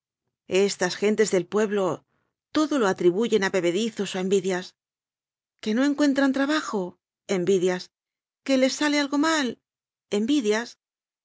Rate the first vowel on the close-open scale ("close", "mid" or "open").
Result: mid